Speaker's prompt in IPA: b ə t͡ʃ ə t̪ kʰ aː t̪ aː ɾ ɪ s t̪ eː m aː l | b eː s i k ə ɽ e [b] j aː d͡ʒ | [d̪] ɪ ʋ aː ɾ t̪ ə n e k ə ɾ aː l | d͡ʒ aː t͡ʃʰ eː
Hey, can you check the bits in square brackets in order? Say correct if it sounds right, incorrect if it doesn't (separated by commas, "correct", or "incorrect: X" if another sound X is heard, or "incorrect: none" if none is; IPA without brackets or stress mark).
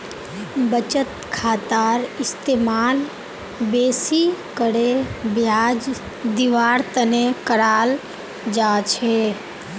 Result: correct, correct